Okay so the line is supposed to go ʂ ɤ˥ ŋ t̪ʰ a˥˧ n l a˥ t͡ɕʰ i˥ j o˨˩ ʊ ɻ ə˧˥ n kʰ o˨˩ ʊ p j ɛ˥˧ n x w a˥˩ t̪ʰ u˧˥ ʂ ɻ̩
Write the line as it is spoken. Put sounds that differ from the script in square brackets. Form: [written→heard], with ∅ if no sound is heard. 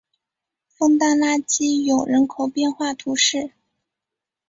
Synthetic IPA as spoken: [ʂ→f] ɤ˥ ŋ [t̪ʰ→t̪] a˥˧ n l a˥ [t͡ɕʰ→t͡ɕ] i˥ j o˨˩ ʊ ɻ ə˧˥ n kʰ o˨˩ ʊ p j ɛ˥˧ n x w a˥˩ t̪ʰ u˧˥ ʂ ɻ̩